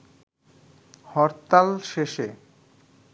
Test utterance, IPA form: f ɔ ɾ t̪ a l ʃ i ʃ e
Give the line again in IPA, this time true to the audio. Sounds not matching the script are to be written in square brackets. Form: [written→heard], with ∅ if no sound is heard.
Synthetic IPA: [f→h] ɔ ɾ t̪ a l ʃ [i→e] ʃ e